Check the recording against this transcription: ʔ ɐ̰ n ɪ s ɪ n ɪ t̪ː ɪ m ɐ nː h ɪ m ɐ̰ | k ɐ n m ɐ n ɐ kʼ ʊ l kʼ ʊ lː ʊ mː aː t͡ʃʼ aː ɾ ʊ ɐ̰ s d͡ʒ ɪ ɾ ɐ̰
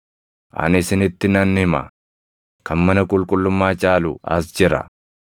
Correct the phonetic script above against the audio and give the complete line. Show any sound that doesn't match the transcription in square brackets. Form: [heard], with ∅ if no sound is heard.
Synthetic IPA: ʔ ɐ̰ n ɪ s ɪ n ɪ t̪ː ɪ [n] ɐ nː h ɪ m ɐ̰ | k ɐ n m ɐ n ɐ kʼ ʊ l kʼ ʊ lː ʊ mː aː t͡ʃʼ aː [l] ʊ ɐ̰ s d͡ʒ ɪ ɾ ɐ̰